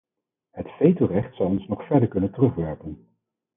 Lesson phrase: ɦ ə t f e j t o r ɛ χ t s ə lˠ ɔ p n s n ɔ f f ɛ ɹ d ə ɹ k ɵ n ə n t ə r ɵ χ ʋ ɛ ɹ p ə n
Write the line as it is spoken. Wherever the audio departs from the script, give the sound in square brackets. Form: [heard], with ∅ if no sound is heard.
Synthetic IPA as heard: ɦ ə t f e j t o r ɛ χ t s [ɑ] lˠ ɔ [∅] n s n ɔ [χ] f ɛ ɹ d ə ɹ k ɵ n ə n t ə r ɵ χ ʋ ɛ ɹ p ə n